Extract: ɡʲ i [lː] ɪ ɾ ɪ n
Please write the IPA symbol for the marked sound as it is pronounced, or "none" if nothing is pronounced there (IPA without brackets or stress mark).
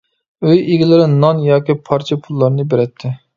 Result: l